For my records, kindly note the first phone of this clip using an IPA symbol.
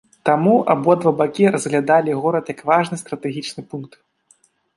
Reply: t̪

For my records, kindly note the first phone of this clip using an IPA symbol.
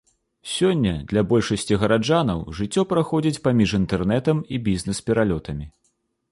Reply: sʲ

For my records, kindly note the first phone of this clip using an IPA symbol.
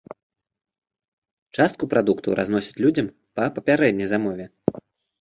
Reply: t͡ʂ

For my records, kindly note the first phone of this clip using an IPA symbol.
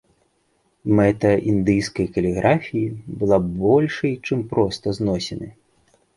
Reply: m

